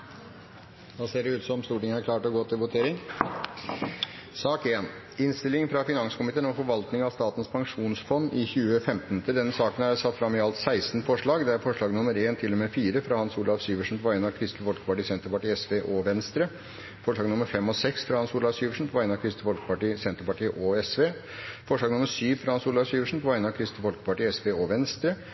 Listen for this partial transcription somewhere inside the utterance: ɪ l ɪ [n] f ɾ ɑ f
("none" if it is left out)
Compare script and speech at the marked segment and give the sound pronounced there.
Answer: ŋ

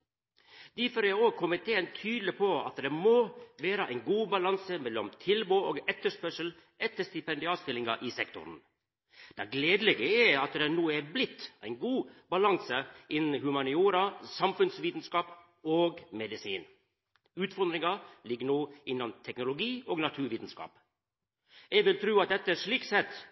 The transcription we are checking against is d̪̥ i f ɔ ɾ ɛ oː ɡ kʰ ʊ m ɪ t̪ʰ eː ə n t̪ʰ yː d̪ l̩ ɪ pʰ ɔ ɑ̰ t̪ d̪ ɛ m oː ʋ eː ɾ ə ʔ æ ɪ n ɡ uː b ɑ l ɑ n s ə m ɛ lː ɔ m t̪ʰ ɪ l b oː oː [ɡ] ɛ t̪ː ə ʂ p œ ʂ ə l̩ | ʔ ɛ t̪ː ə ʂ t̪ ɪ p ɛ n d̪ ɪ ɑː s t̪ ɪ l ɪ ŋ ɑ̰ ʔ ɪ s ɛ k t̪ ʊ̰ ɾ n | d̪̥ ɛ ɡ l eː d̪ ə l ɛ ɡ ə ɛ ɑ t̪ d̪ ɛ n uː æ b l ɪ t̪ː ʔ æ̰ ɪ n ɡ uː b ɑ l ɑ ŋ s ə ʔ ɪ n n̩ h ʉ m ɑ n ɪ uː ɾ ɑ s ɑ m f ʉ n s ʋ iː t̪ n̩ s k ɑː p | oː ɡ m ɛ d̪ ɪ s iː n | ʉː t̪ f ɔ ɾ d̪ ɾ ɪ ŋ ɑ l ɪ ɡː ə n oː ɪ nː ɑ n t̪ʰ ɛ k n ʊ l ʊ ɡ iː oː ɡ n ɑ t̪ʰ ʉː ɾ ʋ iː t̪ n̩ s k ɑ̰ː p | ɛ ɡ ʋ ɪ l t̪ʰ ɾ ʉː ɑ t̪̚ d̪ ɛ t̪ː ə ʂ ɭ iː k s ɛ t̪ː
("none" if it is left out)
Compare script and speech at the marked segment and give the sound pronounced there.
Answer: ɡ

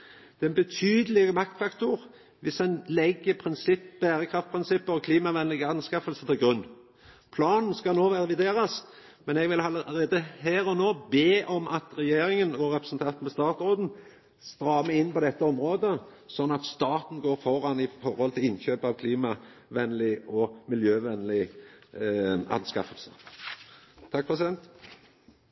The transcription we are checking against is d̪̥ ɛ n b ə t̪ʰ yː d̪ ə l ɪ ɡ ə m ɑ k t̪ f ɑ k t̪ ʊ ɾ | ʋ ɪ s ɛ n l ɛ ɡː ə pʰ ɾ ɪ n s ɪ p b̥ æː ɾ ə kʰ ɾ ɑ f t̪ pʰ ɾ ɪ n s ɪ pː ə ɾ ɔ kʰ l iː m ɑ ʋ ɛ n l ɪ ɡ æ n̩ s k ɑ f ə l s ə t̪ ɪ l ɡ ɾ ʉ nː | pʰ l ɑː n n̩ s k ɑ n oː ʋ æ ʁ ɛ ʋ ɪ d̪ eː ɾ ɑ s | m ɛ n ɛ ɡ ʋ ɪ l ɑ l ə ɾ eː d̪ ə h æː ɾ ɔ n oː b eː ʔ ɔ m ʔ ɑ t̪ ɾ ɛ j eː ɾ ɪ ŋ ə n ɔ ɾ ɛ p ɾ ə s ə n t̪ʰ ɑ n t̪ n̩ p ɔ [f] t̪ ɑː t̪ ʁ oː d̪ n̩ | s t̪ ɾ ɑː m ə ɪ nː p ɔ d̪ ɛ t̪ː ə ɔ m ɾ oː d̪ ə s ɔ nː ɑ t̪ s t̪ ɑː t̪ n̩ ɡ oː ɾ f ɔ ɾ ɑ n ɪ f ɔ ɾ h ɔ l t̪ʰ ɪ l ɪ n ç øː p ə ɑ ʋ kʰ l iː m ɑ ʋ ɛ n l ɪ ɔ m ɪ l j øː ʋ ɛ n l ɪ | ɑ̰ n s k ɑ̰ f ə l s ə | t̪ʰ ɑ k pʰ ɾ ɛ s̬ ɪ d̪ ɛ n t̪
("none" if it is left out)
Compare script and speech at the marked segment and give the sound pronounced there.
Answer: s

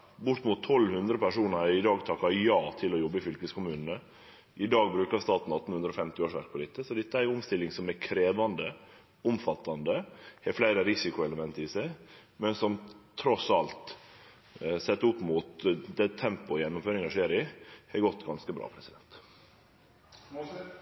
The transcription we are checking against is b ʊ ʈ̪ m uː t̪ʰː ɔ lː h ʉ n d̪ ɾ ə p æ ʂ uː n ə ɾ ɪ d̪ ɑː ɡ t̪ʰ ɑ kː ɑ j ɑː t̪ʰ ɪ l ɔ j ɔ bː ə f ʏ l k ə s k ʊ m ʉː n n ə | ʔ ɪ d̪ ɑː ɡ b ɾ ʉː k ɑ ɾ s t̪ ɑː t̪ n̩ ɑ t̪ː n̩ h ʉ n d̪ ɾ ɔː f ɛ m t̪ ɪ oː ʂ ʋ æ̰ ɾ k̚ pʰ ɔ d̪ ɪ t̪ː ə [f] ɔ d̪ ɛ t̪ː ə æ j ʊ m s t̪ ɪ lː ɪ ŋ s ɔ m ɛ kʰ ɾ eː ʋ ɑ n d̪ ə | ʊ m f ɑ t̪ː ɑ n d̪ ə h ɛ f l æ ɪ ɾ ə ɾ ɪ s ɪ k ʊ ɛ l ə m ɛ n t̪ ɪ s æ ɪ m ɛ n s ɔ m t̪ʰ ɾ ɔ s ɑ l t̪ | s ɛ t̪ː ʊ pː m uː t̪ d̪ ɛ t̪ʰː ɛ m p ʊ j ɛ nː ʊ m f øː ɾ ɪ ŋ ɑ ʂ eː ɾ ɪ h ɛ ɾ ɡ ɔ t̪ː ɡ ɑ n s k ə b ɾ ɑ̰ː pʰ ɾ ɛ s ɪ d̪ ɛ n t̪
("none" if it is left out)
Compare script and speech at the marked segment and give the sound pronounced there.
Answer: s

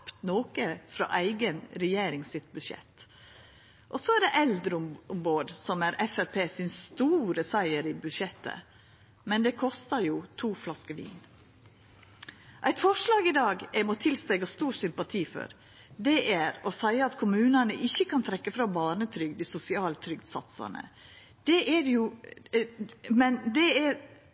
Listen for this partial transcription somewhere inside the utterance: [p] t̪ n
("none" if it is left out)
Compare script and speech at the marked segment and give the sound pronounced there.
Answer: p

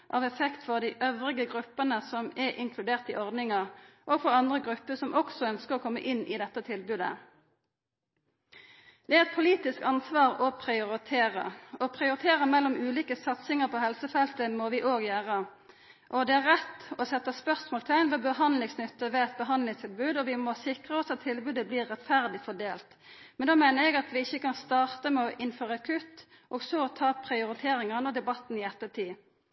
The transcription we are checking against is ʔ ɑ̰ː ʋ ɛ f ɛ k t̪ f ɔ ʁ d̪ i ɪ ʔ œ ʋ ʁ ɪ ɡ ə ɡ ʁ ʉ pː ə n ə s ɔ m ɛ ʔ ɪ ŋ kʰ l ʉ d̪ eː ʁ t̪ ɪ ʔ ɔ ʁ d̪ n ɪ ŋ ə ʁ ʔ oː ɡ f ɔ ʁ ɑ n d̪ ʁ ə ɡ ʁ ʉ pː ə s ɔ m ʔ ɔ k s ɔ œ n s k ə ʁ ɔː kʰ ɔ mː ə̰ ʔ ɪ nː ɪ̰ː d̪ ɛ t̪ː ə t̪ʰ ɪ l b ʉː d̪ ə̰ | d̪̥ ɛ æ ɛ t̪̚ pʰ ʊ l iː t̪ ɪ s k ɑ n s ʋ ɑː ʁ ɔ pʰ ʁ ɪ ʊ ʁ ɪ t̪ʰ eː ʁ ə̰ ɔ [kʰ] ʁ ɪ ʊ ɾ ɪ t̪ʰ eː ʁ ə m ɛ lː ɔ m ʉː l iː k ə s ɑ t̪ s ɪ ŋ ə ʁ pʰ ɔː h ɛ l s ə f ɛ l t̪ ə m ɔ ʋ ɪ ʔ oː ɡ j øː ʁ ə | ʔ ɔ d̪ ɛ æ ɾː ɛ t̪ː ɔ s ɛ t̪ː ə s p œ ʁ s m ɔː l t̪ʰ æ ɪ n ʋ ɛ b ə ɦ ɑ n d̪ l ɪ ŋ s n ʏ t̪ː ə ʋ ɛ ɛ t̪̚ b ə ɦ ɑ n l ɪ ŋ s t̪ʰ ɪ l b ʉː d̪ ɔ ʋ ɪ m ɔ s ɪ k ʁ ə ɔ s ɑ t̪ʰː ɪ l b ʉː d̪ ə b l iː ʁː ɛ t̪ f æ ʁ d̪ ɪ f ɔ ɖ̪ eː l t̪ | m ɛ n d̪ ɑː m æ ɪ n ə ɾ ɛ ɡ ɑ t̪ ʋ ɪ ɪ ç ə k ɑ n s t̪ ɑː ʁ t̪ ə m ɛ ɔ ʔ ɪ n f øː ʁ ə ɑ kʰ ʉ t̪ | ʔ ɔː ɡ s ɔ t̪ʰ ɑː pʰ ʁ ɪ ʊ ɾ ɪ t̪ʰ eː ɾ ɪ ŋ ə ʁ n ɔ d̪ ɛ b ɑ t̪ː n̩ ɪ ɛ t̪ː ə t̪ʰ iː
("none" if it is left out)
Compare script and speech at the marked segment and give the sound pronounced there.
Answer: pʰ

